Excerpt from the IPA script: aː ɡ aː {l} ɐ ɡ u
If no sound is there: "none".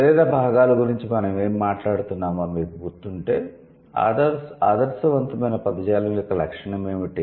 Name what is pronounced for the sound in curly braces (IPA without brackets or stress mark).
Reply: l